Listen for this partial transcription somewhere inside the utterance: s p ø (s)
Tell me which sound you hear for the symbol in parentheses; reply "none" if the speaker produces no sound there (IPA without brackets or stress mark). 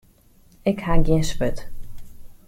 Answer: t